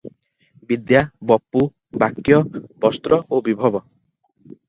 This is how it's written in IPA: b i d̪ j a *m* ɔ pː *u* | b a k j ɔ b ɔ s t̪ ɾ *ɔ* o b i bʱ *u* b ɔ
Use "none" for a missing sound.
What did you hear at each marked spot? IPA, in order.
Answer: b, u, ɔ, ɔ

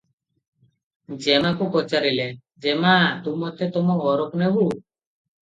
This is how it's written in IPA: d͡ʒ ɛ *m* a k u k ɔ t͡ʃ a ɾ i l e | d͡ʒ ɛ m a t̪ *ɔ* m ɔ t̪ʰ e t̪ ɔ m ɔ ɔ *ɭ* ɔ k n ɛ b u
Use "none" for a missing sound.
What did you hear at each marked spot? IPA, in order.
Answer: m, u, ɾ

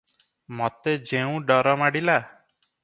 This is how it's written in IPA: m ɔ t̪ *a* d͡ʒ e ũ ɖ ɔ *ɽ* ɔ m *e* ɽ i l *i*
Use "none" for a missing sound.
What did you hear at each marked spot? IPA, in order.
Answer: e, ɾ, a, a

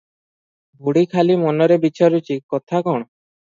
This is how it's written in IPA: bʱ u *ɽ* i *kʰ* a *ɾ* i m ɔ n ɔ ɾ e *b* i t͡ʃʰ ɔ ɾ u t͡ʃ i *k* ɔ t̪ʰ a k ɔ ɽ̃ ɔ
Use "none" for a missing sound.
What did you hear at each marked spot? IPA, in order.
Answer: ɽ, kʰ, l, b, k

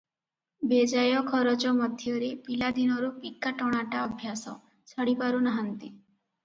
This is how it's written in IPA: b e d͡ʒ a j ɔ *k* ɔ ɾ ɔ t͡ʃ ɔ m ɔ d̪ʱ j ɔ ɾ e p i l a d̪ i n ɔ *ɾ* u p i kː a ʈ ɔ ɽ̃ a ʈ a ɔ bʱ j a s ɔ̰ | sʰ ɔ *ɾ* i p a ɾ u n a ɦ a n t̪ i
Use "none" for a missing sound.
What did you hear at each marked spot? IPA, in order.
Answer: kʰ, ɾ, ɽ

